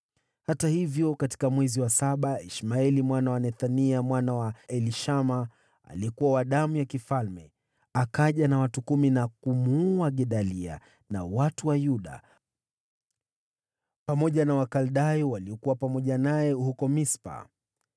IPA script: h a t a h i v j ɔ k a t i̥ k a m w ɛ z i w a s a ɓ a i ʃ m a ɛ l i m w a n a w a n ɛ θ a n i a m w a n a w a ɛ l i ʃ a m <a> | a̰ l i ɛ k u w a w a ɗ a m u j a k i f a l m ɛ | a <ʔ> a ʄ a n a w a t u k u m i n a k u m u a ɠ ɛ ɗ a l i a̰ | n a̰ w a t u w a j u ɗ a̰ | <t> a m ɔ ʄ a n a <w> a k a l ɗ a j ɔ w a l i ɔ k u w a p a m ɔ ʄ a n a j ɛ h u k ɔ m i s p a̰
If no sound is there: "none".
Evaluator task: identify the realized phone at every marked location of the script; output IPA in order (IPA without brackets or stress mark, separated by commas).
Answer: a, k, p, w